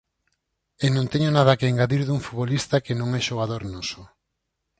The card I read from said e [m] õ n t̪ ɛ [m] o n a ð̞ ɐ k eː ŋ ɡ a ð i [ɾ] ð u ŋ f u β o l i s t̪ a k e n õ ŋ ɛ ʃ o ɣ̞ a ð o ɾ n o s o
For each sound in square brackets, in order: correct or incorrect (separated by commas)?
incorrect, incorrect, correct